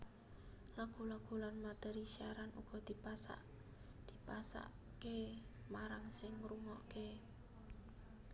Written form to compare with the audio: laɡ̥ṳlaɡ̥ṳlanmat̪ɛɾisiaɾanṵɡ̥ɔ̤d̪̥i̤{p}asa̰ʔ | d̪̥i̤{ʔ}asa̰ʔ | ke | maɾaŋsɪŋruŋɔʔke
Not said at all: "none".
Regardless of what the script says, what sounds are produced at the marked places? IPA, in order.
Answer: p, p

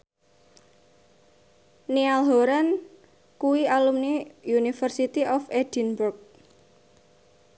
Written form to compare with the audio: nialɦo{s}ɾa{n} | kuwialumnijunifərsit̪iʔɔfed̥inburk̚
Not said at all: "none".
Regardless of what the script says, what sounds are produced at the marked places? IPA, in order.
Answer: none, n

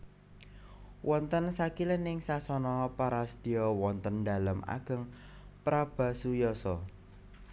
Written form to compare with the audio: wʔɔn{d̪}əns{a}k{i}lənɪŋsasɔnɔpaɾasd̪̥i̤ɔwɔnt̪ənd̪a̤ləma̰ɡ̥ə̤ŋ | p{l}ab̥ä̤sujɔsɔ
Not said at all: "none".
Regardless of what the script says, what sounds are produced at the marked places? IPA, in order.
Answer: t̪, a, i, ɾ

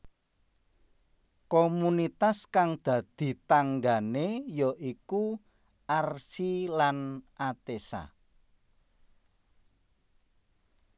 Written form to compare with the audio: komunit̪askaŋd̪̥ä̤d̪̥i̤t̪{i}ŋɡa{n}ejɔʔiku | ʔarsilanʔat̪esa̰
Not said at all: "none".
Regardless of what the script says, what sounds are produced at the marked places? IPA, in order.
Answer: a, n

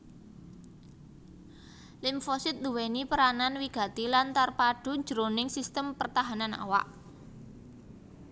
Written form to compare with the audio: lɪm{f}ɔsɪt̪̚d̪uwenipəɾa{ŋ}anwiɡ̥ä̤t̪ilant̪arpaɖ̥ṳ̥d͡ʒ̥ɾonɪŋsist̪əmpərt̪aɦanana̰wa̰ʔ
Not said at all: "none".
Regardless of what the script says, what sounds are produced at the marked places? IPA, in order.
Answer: f, n

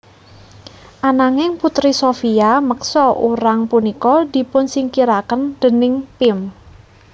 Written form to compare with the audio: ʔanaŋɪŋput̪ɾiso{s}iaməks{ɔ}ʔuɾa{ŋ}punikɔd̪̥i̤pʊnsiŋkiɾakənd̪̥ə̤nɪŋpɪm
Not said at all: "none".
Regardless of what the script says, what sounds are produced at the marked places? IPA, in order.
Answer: f, ɔ, ŋ

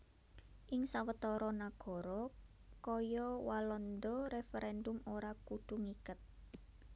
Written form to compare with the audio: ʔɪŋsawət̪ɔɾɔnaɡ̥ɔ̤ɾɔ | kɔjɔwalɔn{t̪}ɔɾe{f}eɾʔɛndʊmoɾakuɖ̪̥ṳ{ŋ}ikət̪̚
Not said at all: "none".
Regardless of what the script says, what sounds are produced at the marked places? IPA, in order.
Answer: d̪, f, ŋ

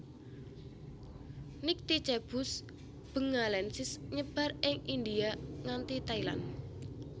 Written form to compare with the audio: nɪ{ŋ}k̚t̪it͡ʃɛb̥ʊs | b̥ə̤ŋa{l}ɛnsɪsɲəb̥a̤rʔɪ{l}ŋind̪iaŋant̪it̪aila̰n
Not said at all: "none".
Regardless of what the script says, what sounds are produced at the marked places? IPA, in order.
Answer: none, l, none

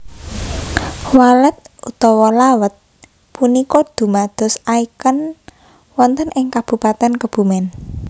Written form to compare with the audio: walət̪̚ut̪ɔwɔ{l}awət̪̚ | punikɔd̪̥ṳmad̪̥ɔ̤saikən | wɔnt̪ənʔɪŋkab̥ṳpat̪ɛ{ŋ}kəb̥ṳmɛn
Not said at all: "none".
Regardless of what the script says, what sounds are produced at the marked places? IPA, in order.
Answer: l, n

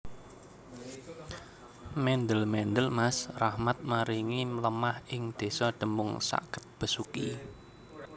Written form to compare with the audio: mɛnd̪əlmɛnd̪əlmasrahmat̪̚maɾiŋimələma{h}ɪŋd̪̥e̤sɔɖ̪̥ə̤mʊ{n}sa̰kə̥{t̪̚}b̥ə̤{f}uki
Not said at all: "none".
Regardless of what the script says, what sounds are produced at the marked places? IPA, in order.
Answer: h, ŋ, t̪̚, s

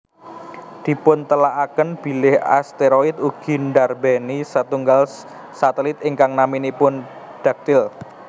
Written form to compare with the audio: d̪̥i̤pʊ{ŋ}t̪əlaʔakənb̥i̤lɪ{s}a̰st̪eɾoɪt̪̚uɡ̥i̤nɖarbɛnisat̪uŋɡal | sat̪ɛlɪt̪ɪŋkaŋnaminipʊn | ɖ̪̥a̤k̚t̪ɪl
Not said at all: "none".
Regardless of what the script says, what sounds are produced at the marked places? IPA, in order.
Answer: n, h

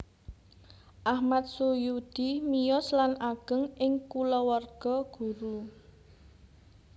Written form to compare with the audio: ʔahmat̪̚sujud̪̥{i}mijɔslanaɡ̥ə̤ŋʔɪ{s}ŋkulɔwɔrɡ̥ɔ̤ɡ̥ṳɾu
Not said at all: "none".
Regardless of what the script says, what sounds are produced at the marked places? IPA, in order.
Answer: i, none

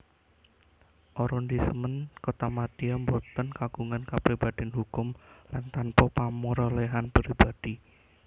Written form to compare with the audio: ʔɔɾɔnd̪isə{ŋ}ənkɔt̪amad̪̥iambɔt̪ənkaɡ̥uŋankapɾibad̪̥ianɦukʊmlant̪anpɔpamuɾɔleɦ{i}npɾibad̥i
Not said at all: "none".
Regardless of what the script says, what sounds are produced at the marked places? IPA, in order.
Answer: m, a

